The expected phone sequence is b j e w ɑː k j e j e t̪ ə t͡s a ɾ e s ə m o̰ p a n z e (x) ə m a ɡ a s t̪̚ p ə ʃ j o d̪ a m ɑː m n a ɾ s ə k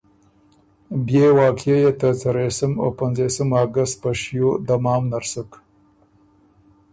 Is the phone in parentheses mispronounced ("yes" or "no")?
yes